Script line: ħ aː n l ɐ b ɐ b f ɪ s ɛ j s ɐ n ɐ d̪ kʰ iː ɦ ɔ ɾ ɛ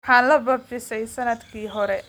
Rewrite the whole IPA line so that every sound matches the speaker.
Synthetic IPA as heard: ħ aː n l ɐ b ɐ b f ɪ s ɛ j s ɐ n ɐ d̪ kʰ iː ɦ ɔ ɾ ɛ